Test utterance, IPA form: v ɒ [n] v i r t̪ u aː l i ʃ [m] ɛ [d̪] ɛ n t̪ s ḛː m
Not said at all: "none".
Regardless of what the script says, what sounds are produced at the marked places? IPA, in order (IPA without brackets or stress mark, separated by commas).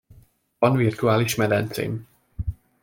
n, m, d̪